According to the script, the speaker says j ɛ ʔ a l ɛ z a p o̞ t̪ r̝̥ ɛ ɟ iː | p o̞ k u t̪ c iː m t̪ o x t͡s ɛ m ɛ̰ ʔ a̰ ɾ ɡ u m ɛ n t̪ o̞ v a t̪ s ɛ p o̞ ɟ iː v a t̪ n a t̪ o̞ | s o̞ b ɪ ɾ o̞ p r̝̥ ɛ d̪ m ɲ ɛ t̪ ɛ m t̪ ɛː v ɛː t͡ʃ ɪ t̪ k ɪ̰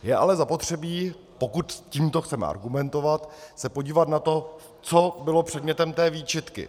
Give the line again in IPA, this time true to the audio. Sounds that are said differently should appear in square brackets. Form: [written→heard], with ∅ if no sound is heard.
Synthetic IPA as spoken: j ɛ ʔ a l ɛ z a p o̞ t̪ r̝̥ ɛ [ɟ→b] iː | p o̞ k u t̪ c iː m t̪ o x t͡s ɛ m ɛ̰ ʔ a̰ ɾ ɡ u m ɛ n t̪ o̞ v a t̪ s ɛ p o̞ ɟ iː v a t̪ n a t̪ o̞ | [s→t͡s] o̞ b ɪ [ɾ→l] o̞ p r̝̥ ɛ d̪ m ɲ ɛ t̪ ɛ m t̪ ɛː v [ɛː→iː] t͡ʃ ɪ t̪ k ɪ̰

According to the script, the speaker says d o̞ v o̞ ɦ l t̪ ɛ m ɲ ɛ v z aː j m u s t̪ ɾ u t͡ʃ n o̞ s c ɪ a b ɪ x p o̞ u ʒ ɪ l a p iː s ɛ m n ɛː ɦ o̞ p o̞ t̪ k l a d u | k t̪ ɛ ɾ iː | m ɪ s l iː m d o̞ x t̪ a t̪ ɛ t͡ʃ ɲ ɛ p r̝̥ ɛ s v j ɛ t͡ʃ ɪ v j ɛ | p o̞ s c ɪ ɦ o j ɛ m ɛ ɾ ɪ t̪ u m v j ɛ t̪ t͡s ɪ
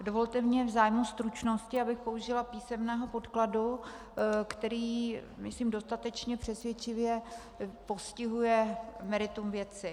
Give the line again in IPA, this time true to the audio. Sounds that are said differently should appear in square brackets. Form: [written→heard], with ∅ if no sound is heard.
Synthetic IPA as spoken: d o̞ v o̞ [ɦ→∅] l t̪ ɛ m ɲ ɛ v z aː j m u s t̪ ɾ u t͡ʃ n o̞ s c ɪ a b ɪ x p o̞ u ʒ ɪ l a p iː s ɛ m n ɛː ɦ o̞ p o̞ t̪ k l a d u | k t̪ ɛ ɾ iː | m ɪ s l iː m d o̞ [x→s] t̪ a t̪ ɛ t͡ʃ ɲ ɛ p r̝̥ ɛ s v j ɛ t͡ʃ ɪ v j ɛ | p o̞ s c ɪ ɦ [o→u] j ɛ m ɛ ɾ ɪ t̪ u m v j ɛ [t̪→∅] t͡s ɪ

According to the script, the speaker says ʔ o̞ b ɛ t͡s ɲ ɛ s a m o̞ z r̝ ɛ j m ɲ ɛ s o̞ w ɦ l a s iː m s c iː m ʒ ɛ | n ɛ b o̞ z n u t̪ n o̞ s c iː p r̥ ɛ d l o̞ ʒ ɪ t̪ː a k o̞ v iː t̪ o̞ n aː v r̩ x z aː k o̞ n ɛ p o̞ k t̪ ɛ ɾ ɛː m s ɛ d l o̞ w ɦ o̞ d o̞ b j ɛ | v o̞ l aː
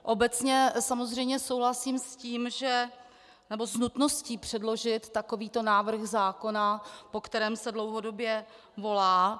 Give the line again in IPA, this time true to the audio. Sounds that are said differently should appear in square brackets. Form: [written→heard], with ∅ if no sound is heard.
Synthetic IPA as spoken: ʔ o̞ b ɛ t͡s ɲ ɛ s a m o̞ z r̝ ɛ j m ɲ ɛ s o̞ w ɦ l a s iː m s c iː m ʒ ɛ | n ɛ b o̞ z n u t̪ n o̞ s c iː p r̥ ɛ d l o̞ ʒ ɪ t̪ː a k o̞ v iː t̪ o̞ n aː v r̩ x z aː k o̞ n [ɛ→a] p o̞ k t̪ ɛ ɾ ɛː m s ɛ d l o̞ w ɦ o̞ d o̞ b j ɛ | v o̞ l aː

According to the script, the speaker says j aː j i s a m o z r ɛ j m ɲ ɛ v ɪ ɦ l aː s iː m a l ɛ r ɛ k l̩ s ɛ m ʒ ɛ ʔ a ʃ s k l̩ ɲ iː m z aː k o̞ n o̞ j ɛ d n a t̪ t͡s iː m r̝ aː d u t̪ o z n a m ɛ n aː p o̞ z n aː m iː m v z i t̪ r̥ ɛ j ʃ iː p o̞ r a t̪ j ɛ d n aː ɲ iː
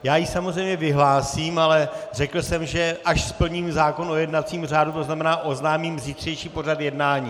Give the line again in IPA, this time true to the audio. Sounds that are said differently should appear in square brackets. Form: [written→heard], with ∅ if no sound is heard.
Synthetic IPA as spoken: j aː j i s a m o z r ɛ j m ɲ ɛ v ɪ ɦ l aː s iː m a l ɛ r ɛ k l̩ s ɛ m ʒ ɛ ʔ a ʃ s [k→p] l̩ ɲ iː m z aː k o̞ n o̞ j ɛ d n a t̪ t͡s iː m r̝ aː d u t̪ o z n a m ɛ n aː [p→ʔ] o̞ z n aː m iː m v z i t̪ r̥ ɛ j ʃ iː p o̞ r a t̪ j ɛ d n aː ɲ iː

